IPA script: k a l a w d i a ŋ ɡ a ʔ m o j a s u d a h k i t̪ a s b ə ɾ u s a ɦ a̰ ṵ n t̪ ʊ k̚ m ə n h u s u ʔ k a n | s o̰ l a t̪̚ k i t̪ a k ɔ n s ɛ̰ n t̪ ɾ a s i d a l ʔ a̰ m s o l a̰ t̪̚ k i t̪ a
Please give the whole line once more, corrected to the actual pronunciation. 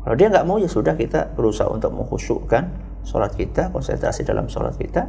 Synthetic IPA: k a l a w d i a ŋ ɡ a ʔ m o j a s u d a h k i t̪ a b ə ɾ u s a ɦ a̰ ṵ n t̪ ʊ k̚ m ə ŋ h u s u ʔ k a n | s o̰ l a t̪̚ k i t̪ a k ɔ n s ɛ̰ n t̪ ɾ a s i d a l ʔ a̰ m s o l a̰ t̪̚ k i t̪ a